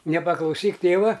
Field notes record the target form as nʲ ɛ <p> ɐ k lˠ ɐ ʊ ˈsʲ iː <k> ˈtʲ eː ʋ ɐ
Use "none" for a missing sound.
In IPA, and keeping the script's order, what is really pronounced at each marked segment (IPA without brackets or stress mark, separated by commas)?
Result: p, k